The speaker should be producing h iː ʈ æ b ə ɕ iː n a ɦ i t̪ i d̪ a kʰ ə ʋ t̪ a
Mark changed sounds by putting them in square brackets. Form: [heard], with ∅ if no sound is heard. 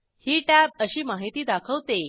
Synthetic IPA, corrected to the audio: h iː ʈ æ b ə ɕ iː [m] a ɦ i t̪ [iː] d̪ a kʰ ə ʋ t̪ [e]